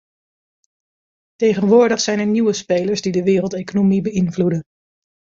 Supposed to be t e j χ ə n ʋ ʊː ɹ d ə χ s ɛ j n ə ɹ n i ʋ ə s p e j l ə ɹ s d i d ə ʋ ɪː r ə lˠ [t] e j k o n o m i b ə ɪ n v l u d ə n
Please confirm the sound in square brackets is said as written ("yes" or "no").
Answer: yes